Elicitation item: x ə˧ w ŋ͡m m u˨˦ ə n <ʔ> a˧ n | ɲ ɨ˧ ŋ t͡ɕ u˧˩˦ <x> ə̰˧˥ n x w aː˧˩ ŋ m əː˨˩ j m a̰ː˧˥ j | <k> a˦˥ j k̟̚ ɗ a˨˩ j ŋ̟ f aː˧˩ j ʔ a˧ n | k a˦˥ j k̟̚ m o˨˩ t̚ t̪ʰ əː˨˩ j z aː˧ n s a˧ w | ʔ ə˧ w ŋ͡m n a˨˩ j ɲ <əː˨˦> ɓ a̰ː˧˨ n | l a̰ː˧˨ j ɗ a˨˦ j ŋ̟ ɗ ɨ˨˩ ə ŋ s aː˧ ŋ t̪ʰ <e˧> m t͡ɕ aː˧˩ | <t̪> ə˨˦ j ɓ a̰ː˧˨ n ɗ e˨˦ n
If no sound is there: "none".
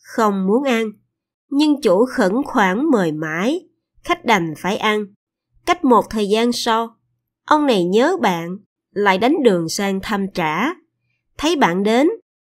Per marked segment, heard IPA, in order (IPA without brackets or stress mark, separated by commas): ʔ, x, x, əː˨˦, a˧, t̪ʰ